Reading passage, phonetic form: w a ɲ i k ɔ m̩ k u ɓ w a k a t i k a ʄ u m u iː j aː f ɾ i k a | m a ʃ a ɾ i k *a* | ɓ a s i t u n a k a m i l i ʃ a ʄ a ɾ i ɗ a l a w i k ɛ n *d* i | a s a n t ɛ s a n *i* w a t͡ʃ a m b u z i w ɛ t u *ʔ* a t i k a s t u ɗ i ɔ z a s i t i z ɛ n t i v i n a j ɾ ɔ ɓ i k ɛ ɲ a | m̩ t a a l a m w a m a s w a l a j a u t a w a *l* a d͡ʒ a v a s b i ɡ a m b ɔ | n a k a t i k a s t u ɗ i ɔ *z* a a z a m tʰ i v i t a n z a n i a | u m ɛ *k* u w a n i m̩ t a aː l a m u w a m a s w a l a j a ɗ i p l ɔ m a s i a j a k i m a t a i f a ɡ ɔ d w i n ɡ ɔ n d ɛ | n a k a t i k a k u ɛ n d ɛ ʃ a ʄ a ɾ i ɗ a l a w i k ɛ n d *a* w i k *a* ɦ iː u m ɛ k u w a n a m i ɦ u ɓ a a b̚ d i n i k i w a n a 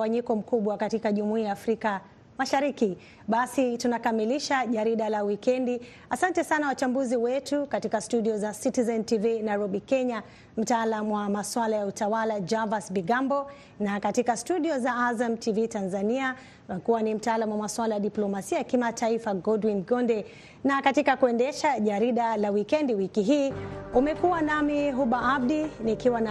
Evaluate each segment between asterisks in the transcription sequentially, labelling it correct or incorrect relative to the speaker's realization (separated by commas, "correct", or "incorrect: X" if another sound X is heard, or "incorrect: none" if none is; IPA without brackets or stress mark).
incorrect: i, correct, incorrect: a, incorrect: k, correct, correct, correct, incorrect: i, incorrect: i